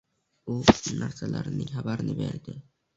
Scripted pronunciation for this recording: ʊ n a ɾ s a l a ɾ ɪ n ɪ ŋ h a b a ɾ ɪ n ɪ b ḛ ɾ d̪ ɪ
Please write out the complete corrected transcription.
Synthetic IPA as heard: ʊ n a ɾ s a l a ɾ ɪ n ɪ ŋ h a b a ɾ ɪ n ɪ b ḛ ɾ d̪ ɪ

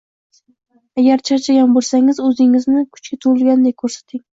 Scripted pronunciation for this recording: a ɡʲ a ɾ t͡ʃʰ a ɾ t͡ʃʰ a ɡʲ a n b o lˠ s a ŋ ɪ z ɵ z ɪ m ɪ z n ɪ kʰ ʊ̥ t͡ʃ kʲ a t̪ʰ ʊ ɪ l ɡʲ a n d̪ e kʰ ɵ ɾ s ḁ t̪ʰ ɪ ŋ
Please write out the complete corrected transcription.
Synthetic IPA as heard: a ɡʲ a ɾ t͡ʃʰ a ɾ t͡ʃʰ a ɡʲ a n b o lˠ s a ŋ ɪ z ɵ z ɪ ŋ ɪ z n ɪ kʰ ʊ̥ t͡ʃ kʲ a t̪ʰ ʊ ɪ l ɡʲ a n d̪ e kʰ ɵ ɾ s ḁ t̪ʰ ɪ ŋ

